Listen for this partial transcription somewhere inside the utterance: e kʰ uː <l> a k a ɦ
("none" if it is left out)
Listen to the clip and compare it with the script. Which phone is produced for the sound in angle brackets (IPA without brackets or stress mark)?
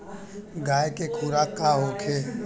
ɾ